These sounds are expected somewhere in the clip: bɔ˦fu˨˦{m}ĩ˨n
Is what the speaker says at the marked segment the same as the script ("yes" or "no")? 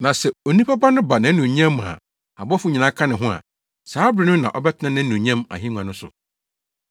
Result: no